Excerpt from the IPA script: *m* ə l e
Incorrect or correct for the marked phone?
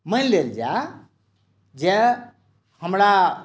correct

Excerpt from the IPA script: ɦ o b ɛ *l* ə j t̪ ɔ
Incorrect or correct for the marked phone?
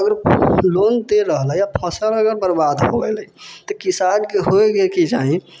correct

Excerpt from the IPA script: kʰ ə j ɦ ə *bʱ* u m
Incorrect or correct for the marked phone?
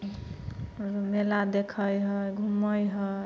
incorrect: ɡʱ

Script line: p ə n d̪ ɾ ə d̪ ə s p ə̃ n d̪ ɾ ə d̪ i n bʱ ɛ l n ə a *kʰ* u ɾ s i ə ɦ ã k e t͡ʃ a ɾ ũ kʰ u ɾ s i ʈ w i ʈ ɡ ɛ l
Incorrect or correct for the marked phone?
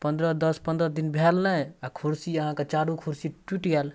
correct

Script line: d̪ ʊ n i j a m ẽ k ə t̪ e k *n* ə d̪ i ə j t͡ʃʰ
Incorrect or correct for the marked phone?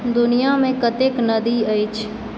correct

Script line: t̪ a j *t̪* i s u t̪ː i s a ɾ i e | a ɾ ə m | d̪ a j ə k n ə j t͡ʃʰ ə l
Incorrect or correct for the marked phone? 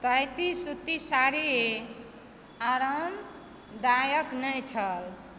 correct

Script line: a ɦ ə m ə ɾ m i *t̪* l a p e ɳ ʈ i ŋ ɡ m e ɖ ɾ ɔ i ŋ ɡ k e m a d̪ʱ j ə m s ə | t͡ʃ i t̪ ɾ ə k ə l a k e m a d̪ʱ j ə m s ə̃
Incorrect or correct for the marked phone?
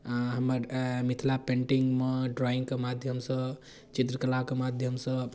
incorrect: t̪ʰ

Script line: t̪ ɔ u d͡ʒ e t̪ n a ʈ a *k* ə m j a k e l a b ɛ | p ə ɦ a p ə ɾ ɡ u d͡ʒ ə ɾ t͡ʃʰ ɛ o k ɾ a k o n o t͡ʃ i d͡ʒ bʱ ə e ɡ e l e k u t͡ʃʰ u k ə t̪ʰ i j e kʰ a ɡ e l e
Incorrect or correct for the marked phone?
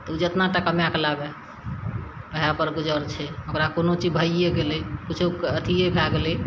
correct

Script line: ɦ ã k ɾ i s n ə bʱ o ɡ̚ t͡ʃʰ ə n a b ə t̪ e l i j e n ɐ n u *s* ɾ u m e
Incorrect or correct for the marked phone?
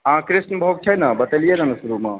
correct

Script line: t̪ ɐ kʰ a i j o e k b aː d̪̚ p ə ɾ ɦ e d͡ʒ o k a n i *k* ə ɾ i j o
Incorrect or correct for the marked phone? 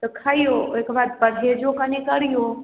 correct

